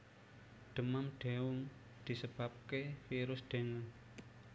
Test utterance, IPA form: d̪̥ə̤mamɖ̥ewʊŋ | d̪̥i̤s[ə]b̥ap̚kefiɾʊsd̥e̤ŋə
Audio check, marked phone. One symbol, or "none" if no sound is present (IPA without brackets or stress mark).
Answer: ə